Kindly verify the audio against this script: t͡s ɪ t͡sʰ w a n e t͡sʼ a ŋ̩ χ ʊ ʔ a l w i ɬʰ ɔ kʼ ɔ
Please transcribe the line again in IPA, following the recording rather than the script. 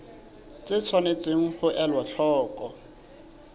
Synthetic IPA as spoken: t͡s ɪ t͡sʰ w a n e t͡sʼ e ŋ̩ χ ʊ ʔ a l w a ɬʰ ɔː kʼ ɔ